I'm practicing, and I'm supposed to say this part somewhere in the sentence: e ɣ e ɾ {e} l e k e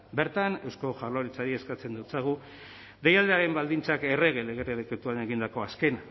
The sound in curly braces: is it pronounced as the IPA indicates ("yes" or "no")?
yes